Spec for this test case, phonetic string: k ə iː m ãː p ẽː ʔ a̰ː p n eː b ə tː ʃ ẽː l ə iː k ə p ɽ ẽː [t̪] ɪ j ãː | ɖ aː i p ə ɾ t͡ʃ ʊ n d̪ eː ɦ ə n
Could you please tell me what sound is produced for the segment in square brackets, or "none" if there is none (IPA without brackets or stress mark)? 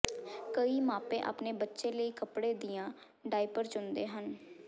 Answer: d̪